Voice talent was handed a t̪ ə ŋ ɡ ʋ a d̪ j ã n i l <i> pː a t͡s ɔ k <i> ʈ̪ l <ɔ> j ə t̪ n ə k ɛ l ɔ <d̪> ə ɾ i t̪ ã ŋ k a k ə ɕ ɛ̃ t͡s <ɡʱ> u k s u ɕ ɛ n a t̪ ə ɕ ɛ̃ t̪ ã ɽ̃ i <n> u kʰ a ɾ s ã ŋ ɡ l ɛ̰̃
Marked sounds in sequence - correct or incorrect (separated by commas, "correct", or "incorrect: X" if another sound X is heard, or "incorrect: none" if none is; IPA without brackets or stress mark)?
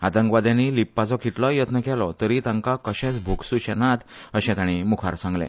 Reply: correct, correct, correct, incorrect: t̪, incorrect: bʱ, incorrect: m